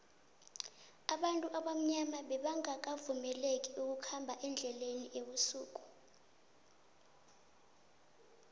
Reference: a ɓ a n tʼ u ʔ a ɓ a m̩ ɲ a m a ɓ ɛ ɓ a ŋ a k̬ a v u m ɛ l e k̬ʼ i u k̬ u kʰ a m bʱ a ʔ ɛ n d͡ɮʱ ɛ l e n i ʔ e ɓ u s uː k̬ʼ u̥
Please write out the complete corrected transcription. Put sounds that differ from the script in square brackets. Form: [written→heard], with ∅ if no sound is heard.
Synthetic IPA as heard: a ɓ a n tʼ u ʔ a ɓ a m̩ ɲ a m a ɓ ɛ ɓ a ŋ a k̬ a v u m ɛ l e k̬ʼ i u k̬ u kʰ a m bʱ a ʔ ɛ n d͡ɮʱ ɛ l e n i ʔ e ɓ u s uː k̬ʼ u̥